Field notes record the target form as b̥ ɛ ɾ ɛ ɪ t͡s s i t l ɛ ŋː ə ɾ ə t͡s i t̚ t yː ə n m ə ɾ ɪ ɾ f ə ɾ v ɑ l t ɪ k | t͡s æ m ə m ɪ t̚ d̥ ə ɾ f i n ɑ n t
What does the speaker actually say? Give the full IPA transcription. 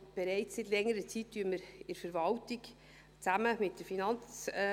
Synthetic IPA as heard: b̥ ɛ ɾ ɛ ɪ t͡s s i t l ɛ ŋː ə ɾ ə t͡s i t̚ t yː ə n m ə ɾ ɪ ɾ f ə ɾ v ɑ l t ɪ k | t͡s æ m ə m ɪ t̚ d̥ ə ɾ f i n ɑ n t͡s